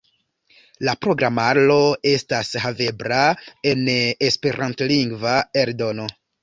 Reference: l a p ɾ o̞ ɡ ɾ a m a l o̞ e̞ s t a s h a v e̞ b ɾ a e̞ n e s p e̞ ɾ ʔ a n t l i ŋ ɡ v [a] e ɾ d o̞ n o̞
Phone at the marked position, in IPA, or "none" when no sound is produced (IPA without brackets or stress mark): a